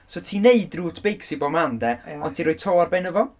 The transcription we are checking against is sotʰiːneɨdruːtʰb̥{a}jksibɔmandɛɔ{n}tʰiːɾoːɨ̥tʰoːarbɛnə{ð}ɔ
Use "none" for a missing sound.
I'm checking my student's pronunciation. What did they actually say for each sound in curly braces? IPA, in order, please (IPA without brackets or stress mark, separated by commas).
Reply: e, n, v